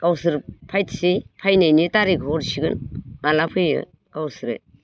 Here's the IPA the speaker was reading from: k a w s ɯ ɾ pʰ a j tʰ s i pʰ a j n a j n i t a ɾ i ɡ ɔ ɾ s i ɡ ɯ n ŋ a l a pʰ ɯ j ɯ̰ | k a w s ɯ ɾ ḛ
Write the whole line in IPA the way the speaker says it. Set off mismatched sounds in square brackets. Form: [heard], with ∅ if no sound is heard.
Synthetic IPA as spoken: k a w s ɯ ɾ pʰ a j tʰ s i pʰ a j n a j n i t a ɾ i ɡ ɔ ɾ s i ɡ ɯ n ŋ a l a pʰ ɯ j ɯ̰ | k a w s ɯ ɾ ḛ